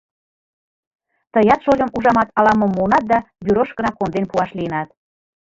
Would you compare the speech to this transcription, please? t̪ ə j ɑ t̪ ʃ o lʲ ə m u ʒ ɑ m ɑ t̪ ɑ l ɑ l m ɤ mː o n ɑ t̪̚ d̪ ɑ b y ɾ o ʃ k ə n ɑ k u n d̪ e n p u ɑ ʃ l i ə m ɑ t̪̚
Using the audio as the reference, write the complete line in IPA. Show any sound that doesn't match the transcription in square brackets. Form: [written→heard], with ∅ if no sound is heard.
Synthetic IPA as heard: t̪ ə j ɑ t̪ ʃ o lʲ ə m u ʒ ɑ m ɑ t̪ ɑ l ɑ [l→∅] m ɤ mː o n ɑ t̪̚ d̪ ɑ b y ɾ o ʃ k ə n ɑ k [u→o] n d̪ e n p u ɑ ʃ l i ə [m→n] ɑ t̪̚